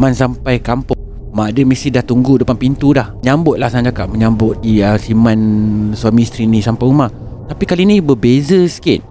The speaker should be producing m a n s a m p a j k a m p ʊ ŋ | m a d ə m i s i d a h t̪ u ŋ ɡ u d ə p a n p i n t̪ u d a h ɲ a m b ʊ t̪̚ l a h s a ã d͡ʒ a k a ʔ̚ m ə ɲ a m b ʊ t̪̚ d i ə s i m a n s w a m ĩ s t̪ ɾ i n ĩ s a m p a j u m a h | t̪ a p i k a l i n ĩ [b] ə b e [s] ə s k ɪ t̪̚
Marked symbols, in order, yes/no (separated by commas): yes, no